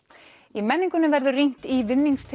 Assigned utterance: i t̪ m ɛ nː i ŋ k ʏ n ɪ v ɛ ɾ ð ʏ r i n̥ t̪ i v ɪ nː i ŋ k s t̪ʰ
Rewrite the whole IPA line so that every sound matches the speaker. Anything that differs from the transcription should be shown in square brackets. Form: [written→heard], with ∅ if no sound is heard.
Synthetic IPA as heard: i [t̪→∅] m ɛ nː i ŋ k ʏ n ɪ v ɛ ɾ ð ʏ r i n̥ t̪ i v ɪ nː i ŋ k s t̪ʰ